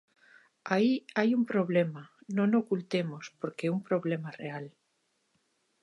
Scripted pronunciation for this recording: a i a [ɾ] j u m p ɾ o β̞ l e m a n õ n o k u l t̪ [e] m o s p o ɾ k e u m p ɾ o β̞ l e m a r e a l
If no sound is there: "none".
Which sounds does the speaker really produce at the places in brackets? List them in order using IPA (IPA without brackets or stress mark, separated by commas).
none, e